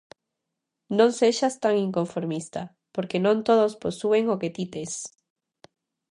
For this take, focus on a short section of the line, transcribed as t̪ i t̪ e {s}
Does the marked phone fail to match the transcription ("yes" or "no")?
no